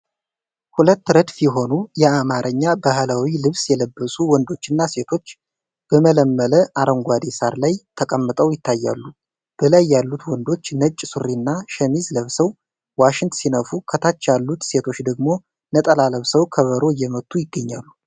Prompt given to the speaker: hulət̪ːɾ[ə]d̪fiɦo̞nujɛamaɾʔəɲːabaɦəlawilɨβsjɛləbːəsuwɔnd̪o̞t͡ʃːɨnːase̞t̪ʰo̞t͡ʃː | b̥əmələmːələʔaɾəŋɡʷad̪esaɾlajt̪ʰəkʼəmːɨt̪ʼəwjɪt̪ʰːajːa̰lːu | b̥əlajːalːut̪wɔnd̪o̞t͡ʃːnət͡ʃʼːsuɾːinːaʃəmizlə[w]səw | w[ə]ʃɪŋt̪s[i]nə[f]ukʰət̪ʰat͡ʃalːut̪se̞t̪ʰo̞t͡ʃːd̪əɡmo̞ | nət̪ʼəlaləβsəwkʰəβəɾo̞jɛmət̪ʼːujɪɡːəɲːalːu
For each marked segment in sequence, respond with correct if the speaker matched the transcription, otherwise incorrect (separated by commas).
correct, incorrect, incorrect, correct, correct